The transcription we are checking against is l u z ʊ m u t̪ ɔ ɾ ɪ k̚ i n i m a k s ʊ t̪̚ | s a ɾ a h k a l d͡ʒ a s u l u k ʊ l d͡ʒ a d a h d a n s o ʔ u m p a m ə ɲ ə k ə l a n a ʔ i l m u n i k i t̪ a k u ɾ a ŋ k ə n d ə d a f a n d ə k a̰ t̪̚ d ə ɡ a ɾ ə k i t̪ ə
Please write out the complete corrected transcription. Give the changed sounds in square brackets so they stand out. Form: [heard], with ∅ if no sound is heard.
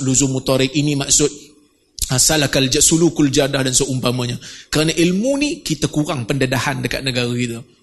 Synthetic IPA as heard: l u z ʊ m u t̪ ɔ ɾ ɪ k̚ i n i m a k s ʊ t̪̚ | s a [l] a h k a l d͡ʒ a s u l u k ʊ l d͡ʒ a d a h d a n s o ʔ u m p a m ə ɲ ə k ə [ɾ] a n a ʔ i l m u n i k i t̪ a k u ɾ a ŋ [p] ə n d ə d a [h] a n d ə k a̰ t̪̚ [n] ə ɡ a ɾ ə k i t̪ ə